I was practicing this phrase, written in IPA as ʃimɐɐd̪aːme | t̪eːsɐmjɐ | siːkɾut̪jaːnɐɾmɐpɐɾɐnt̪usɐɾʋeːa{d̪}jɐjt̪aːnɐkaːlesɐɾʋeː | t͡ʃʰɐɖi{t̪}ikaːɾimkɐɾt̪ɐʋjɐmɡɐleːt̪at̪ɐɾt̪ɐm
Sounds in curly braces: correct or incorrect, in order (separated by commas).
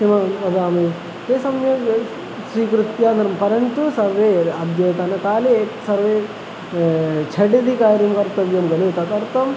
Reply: correct, incorrect